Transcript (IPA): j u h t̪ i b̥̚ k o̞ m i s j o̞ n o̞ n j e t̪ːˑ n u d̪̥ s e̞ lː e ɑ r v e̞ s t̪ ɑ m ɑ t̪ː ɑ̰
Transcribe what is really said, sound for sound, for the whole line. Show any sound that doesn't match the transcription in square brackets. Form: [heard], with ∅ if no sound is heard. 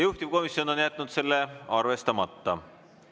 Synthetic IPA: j u h t̪ i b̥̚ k o̞ m i s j o̞ n o̞ n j [æ] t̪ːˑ n u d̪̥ s e̞ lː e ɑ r v e̞ s t̪ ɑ m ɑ t̪ː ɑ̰